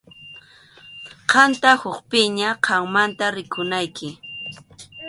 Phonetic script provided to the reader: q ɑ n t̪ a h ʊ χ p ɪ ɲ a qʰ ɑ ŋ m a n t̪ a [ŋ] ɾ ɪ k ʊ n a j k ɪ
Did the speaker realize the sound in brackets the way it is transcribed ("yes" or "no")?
no